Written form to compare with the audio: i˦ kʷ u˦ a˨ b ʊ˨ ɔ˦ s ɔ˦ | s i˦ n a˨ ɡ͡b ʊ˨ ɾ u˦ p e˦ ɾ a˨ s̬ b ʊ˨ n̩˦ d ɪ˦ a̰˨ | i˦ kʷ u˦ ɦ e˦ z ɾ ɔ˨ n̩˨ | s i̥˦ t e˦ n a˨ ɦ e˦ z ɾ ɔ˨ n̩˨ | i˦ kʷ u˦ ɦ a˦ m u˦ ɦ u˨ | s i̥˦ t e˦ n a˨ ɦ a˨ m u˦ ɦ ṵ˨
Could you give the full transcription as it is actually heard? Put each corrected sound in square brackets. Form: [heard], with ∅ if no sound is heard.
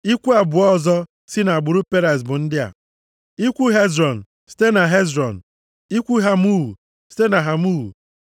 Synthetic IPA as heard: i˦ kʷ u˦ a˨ b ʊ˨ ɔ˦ [z] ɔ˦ | s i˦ n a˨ ɡ͡b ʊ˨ ɾ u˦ p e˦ ɾ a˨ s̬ b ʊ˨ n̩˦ d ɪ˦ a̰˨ | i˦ kʷ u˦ ɦ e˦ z ɾ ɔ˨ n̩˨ | s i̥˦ t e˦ n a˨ ɦ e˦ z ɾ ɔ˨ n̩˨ | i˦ kʷ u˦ ɦ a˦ m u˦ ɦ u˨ | s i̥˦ t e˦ n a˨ ɦ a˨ m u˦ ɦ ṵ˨